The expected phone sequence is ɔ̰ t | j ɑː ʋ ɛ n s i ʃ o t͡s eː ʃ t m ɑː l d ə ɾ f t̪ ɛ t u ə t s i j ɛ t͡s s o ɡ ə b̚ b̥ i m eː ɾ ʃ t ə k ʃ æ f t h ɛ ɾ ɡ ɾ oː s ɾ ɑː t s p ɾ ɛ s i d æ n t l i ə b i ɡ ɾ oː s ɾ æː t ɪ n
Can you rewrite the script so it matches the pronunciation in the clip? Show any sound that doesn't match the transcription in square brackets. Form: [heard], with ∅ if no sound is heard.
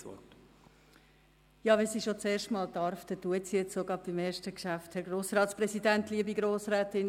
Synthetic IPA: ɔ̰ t | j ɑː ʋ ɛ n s i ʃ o t͡s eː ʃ t m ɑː l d [ɑ] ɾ f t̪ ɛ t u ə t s i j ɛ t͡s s o ɡ [ɑ] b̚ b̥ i m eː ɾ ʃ t ə k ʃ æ f t h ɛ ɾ ɡ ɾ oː s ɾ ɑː t s p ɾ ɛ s i d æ n t l i ə b i ɡ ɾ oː s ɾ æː t ɪ n

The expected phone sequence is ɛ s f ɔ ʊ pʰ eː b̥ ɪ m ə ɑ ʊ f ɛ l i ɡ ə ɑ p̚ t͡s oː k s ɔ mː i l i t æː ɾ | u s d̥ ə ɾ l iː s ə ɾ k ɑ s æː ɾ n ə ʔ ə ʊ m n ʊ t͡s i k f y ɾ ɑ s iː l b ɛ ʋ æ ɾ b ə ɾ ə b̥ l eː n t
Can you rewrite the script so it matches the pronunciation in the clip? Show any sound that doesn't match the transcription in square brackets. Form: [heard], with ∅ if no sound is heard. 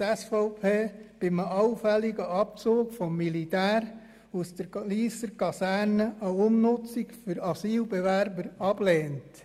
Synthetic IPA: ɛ s f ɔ ʊ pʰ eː b̥ ɪ m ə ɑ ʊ f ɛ l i ɡ ə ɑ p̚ t͡s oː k [f] ɔ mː i l i t æː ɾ | u s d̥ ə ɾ l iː s ə ɾ k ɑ s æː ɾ n ə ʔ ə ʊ m n ʊ t͡s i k f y ɾ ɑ s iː l b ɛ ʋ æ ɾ b ə ɾ [ɑ] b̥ l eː n t

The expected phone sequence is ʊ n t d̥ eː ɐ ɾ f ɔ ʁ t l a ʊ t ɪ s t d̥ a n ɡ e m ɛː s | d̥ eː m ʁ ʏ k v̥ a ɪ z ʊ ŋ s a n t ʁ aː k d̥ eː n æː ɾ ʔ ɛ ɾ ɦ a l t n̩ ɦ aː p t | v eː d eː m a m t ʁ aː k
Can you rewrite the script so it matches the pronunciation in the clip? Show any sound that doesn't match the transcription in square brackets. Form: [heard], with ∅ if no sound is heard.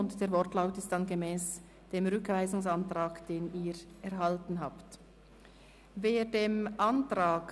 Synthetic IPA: ʊ n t d̥ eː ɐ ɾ [v] ɔ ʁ t l a ʊ t ɪ s t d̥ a n ɡ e m ɛː s | d̥ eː m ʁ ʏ k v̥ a ɪ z ʊ ŋ s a n t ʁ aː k d̥ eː n [iː] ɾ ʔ ɛ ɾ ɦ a l t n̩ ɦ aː p t | v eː d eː m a [n] t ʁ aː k

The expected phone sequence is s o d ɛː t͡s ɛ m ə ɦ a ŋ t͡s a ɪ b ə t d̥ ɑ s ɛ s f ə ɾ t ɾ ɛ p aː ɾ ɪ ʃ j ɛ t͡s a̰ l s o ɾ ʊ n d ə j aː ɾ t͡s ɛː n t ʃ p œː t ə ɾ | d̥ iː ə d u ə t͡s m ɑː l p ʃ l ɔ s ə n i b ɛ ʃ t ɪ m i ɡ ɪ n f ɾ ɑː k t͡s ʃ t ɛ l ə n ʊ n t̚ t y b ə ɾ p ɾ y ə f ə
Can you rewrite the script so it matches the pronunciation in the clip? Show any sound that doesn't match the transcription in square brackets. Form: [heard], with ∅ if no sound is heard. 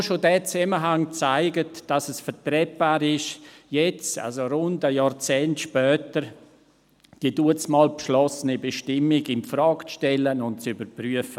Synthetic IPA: [ʃ] o d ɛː t͡s ɛ m ə ɦ a ŋ t͡s a ɪ [ɡ] ə t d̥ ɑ s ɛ s f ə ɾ t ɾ ɛ p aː ɾ ɪ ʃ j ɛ t͡s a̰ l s o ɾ ʊ n d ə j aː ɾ t͡s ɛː n t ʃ p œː t ə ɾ | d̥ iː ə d u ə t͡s m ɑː l p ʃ l ɔ s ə n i b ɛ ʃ t ɪ m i ɡ ɪ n f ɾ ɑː k t͡s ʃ t ɛ l ə n ʊ n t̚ [t͡s] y b ə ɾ p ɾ y ə f ə

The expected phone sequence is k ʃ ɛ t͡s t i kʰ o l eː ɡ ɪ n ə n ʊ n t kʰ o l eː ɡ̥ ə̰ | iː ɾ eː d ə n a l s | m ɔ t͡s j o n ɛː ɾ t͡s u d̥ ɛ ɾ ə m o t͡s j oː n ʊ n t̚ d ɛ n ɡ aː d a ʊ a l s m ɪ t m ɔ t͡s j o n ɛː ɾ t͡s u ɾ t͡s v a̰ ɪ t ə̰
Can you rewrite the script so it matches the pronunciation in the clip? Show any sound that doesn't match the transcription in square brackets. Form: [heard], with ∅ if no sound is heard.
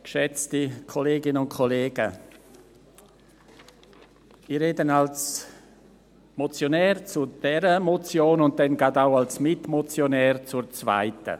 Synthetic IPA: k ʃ ɛ t͡s t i kʰ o l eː ɡ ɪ n ə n ʊ n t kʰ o l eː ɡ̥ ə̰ | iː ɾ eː d ə n a l s | m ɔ t͡s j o n ɛː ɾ t͡s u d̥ ɛ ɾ ə m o t͡s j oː n ʊ n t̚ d ɛ n ɡ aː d a ʊ a l s m ɪ t m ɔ t͡s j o n ɛː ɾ t͡s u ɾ t͡s v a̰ ɪ t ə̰

